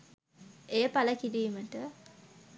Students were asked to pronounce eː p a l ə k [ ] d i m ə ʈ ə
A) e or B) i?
B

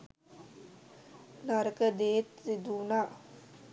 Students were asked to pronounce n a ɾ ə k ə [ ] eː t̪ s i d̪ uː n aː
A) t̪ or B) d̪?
B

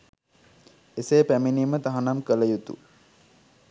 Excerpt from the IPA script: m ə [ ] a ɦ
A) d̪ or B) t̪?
B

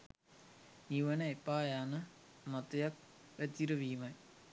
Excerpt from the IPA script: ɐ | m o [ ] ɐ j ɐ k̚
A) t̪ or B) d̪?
A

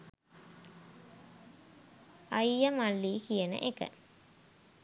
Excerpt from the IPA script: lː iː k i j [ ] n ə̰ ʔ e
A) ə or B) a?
A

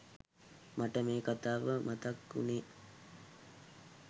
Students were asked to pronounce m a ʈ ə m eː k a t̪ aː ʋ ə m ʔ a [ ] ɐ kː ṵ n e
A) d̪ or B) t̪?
B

